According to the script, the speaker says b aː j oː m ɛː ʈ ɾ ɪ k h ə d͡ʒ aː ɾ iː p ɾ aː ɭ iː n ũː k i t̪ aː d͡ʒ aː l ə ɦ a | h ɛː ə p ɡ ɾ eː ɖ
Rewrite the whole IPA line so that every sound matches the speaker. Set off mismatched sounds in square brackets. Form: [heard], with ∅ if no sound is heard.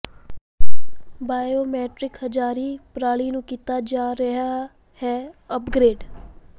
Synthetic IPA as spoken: b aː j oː m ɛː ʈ ɾ ɪ k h ə d͡ʒ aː ɾ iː p ɾ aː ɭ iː n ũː k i t̪ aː d͡ʒ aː [ɾ] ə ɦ a | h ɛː ə p ɡ ɾ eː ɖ